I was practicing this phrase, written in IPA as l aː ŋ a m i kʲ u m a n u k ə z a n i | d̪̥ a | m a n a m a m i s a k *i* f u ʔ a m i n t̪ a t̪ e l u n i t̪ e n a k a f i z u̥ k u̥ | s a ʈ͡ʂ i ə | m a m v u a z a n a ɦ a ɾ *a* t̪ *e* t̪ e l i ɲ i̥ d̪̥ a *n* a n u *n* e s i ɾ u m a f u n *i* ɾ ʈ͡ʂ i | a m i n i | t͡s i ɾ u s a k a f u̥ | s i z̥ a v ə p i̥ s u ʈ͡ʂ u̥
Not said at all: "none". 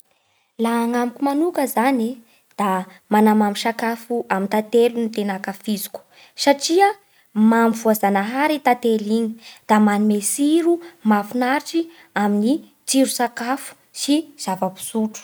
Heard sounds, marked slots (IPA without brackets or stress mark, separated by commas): a, i, a, m, m, a